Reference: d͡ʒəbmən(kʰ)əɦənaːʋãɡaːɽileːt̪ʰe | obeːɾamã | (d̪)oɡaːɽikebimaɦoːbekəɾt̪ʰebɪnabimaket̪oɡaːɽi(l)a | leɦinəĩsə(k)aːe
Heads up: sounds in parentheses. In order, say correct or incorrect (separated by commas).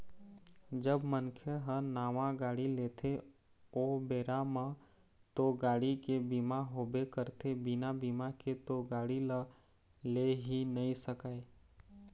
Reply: correct, incorrect, correct, correct